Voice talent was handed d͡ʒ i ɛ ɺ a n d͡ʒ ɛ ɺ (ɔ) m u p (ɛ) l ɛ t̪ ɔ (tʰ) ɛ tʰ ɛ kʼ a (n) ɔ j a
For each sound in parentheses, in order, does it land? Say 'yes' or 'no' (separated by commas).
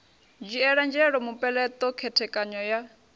yes, yes, no, no